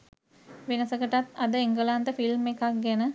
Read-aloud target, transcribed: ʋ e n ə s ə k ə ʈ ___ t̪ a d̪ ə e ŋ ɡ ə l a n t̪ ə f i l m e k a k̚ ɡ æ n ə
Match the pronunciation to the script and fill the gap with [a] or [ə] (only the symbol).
a